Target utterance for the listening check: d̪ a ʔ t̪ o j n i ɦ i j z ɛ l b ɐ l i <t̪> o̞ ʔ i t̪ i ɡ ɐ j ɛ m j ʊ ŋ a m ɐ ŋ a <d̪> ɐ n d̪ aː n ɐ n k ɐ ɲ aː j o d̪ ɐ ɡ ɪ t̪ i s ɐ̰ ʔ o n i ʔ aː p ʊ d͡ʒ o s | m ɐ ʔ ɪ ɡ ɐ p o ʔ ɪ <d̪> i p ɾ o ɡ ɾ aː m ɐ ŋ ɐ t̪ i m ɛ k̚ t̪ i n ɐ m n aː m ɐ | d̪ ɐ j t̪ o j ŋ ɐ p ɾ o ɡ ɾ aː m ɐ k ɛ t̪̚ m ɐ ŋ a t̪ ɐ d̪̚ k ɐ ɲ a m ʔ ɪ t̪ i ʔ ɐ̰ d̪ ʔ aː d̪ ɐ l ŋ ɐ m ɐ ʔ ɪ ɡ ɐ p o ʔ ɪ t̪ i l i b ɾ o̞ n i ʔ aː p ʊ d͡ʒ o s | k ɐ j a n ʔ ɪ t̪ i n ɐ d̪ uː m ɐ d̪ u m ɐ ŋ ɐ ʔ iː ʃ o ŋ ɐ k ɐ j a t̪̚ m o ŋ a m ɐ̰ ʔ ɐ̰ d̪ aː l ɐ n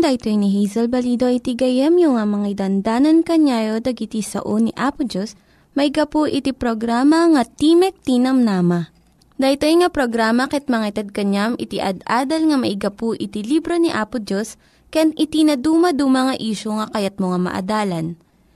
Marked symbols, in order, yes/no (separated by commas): no, yes, no